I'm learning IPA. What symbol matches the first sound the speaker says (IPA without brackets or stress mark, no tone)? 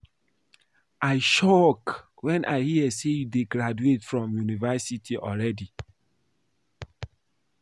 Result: a